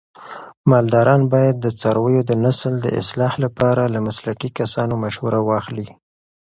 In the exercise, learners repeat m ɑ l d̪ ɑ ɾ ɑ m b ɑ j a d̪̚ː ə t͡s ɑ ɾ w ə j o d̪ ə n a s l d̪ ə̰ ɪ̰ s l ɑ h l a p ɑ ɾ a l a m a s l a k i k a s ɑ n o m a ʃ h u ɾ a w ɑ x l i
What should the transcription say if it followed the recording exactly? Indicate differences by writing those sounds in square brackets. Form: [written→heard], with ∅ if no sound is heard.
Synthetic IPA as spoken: m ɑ l d̪ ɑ ɾ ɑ [m→n] b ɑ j a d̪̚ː ə t͡s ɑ ɾ w ə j o d̪ ə n a s l d̪ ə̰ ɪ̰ s l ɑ h l a p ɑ ɾ a l a m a s l a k i k a s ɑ n o m a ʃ h u ɾ a w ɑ x l i